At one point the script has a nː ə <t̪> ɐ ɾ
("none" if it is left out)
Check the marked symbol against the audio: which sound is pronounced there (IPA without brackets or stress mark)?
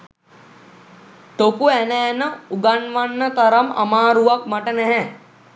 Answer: t̪